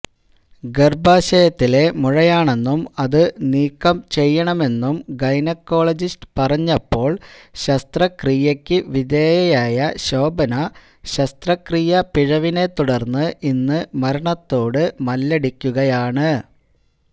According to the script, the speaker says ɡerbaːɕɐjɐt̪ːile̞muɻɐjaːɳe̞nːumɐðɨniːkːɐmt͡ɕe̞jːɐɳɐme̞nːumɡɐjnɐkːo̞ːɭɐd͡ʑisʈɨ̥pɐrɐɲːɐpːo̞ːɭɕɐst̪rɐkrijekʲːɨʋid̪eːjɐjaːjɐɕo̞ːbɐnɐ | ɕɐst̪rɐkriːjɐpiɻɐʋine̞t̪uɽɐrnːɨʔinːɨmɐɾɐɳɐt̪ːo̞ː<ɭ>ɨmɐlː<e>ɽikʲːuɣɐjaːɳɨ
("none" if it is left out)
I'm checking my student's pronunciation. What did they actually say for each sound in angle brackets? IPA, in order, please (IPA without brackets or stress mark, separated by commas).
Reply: ɽ, e